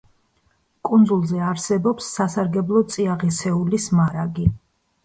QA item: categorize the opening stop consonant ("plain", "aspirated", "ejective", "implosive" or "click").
ejective